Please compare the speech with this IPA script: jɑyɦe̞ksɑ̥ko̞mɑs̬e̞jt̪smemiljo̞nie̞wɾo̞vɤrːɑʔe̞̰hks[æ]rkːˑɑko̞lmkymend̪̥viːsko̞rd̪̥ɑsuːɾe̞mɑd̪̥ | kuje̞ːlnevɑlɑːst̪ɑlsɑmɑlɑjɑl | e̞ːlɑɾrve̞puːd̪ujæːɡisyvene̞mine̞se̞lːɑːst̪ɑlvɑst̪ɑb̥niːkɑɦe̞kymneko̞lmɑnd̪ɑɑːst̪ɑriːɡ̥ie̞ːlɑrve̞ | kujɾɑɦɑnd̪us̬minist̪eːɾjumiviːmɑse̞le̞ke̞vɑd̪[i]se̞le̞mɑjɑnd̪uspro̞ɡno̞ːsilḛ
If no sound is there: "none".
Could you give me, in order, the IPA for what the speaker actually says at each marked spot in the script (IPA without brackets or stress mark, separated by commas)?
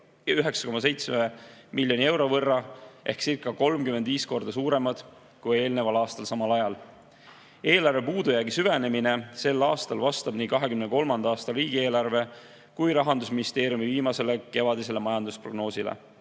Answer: i, i